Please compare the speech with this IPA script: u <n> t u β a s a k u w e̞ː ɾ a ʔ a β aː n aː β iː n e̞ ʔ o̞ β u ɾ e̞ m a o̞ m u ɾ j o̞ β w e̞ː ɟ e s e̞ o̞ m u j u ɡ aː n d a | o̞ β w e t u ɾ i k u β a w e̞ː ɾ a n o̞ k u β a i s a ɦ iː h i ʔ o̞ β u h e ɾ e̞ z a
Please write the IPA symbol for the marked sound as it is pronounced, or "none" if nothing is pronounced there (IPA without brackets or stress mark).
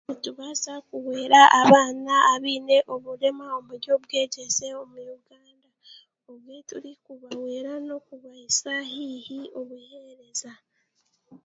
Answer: none